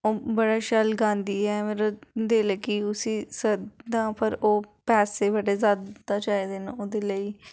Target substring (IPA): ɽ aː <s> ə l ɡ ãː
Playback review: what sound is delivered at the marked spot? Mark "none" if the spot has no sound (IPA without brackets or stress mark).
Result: ʃ